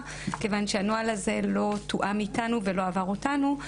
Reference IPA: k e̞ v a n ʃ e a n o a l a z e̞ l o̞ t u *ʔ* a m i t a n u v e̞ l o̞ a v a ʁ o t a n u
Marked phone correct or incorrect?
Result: correct